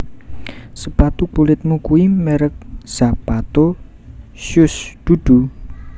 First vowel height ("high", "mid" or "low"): mid